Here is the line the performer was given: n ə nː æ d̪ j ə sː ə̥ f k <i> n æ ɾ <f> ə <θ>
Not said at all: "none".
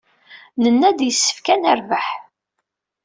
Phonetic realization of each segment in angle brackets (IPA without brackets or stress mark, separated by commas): æ, v, ħ